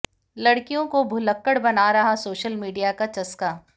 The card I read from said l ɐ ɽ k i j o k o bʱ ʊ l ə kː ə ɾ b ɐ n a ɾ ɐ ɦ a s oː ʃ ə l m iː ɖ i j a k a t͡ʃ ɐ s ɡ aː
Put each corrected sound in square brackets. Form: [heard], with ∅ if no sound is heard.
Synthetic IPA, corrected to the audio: l ɐ ɽ k i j [õ] k o bʱ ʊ l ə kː ə [ɽ] b ɐ n a ɾ ɐ ɦ a s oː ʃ ə l m iː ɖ i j a k a t͡ʃ ɐ s [k] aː

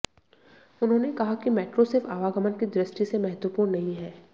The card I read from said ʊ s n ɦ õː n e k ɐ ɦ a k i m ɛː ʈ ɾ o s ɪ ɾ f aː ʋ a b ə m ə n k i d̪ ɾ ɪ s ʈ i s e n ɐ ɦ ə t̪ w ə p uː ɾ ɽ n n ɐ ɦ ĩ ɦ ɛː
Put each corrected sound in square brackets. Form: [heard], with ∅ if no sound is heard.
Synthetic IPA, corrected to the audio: ʊ [∅] n ɦ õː n e k ɐ ɦ a k i m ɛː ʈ ɾ o s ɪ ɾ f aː ʋ a [ɡ] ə m ə n k i d̪ ɾ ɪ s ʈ i s e [m] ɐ ɦ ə t̪ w ə p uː ɾ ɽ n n ɐ ɦ ĩ ɦ ɛː

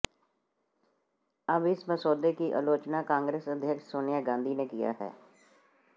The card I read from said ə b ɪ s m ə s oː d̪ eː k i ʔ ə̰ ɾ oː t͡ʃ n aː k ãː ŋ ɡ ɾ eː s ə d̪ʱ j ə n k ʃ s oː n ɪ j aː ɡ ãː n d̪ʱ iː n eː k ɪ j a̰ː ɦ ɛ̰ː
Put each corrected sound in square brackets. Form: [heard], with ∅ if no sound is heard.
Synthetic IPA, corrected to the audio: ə b ɪ s m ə s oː d̪ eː k i ʔ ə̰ [l] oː t͡ʃ n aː k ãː ŋ ɡ ɾ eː s ə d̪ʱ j ə [∅] k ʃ s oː n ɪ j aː ɡ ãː n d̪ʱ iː n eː k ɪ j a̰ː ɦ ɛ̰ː

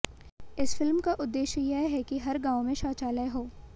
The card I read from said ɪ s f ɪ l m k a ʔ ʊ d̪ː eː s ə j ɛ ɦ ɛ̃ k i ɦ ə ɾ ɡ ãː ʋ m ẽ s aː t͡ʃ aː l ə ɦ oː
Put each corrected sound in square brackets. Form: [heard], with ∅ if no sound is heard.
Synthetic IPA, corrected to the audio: ɪ s f ɪ l m k a ʔ ʊ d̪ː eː [ʃ] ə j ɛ ɦ [ɛ] k i ɦ [ɐ] ɾ ɡ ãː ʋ m ẽ [ʃ] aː t͡ʃ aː l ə ɦ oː

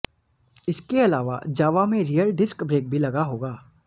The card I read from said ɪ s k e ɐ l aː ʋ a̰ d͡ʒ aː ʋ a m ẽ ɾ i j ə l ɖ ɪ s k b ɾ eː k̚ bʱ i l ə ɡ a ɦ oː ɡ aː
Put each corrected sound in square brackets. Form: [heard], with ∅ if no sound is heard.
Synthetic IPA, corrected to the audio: ɪ s k e ɐ l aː ʋ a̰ d͡ʒ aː ʋ a m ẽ ɾ i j ə l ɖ ɪ s k b ɾ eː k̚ bʱ i l [ɐ] ɡ a ɦ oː ɡ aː

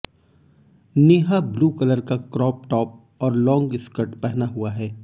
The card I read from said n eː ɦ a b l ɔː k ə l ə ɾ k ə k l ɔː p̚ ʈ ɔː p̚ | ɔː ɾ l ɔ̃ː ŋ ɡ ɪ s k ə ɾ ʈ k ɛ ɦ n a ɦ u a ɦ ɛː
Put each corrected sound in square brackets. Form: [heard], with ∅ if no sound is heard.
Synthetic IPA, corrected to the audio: n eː ɦ a b l [uː] k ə l ə ɾ k [a] k [ɾ] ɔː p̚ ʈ ɔː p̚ | ɔː ɾ l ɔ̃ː ŋ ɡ ɪ s k ə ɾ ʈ [p] ɛ ɦ n a ɦ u a ɦ ɛː

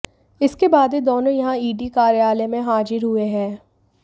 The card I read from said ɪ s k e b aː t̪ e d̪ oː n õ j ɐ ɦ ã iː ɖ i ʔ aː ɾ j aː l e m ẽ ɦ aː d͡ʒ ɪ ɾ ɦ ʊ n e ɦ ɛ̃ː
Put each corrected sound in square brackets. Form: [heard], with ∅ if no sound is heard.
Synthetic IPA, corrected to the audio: ɪ s k e b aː [d̪] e d̪ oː n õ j ɐ ɦ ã iː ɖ i [k] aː ɾ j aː l e m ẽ ɦ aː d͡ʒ ɪ ɾ ɦ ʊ [∅] e ɦ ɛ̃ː

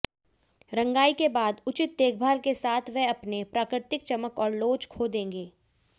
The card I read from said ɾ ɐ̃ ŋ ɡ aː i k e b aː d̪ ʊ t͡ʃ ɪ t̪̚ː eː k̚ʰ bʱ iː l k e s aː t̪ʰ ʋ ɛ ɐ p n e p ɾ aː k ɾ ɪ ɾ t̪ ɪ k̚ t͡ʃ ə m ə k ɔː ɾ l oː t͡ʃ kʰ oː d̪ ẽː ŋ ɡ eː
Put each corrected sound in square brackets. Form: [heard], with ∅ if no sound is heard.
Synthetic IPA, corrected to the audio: ɾ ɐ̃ ŋ ɡ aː i k e b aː d̪ ʊ t͡ʃ ɪ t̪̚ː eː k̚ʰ bʱ [aː] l k e s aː t̪ʰ ʋ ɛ ɐ p n e p ɾ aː k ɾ ɪ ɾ t̪ ɪ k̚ t͡ʃ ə m ə k ɔː ɾ l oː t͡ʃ kʰ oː d̪ ẽː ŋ ɡ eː

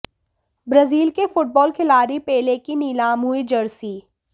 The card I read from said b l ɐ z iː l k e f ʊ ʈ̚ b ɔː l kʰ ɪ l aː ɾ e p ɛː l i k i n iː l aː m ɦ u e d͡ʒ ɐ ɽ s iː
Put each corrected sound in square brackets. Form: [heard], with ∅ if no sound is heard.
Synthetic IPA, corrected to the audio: b [ɾ] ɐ z iː l k e f ʊ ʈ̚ b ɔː l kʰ ɪ l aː ɾ [i] p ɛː l [e] k i n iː l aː m ɦ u [i] d͡ʒ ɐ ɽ s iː

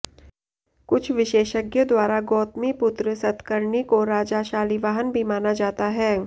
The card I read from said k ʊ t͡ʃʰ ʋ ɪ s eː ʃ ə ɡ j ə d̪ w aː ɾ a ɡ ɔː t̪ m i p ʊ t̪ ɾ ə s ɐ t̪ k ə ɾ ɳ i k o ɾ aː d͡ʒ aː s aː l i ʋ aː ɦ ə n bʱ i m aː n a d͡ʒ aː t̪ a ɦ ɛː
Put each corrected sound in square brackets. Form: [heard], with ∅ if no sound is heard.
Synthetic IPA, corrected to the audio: k ʊ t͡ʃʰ ʋ ɪ [ʃ] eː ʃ ə ɡ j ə d̪ w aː ɾ a ɡ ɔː t̪ m i p ʊ t̪ ɾ ə s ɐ t̪ k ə ɾ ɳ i k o ɾ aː d͡ʒ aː [ʃ] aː l i ʋ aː ɦ ə n bʱ i m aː n a d͡ʒ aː t̪ a ɦ ɛː

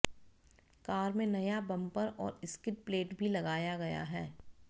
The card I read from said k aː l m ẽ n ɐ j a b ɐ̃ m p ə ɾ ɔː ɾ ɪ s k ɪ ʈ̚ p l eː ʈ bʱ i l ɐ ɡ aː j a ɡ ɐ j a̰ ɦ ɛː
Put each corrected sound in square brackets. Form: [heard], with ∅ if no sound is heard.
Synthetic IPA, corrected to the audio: k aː [ɾ] m ẽ n ɐ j a b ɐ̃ m p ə ɾ ɔː ɾ ɪ s k ɪ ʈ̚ p l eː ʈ bʱ i l ɐ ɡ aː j a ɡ ɐ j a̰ ɦ ɛː

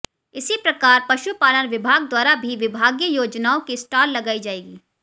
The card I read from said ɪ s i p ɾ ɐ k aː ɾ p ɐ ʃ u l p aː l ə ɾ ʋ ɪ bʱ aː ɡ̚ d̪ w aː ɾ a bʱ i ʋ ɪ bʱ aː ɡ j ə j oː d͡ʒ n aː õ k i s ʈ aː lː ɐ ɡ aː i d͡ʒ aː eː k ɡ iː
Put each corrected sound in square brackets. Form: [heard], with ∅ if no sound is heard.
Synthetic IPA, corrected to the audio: ɪ s i p ɾ ɐ k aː ɾ p ɐ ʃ u [∅] p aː l ə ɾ ʋ ɪ bʱ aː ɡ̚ d̪ w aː ɾ a bʱ i ʋ ɪ bʱ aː ɡ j ə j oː d͡ʒ n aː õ k i s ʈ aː lː ɐ ɡ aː i d͡ʒ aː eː [∅] ɡ iː

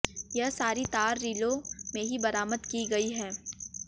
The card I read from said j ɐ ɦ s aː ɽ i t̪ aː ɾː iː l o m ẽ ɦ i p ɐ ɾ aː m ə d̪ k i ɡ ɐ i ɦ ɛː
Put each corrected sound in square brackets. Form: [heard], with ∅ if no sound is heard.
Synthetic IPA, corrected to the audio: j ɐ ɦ s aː [ɾ] i t̪ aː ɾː iː l o m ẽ ɦ i [b] ɐ ɾ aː m ə d̪ k i ɡ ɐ i ɦ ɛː

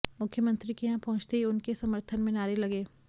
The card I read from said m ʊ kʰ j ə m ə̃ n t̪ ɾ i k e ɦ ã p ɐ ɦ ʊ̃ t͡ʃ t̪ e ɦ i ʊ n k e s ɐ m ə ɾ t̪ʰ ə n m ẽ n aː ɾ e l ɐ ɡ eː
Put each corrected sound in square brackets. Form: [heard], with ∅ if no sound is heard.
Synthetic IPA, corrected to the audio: m ʊ kʰ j ə m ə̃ n t̪ ɾ i k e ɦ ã p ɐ ɦ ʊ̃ t͡ʃ t̪ e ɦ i ʊ n k e s ɐ m ə ɾ t̪ʰ ə n m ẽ n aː ɾ e l ɐ ɡ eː

